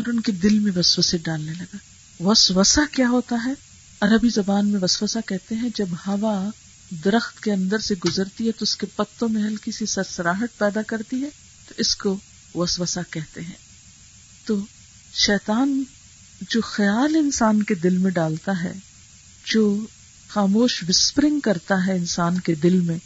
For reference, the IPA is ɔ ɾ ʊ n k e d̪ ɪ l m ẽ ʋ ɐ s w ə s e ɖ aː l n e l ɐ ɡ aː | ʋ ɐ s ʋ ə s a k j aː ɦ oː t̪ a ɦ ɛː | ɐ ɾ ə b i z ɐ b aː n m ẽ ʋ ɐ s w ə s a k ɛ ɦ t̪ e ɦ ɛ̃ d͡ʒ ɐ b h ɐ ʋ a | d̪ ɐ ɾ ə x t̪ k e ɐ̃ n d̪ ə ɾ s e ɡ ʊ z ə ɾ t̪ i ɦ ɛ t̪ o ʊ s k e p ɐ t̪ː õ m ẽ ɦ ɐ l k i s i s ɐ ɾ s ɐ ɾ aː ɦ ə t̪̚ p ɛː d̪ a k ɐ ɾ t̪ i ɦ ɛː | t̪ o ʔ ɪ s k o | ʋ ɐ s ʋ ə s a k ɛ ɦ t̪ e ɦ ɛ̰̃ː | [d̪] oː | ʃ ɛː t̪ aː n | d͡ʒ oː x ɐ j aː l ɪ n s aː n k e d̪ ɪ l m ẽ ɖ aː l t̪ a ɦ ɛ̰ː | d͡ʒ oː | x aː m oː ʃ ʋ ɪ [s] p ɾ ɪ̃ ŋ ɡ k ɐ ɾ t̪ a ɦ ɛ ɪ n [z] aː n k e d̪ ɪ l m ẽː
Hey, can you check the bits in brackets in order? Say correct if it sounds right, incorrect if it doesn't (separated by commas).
incorrect, correct, incorrect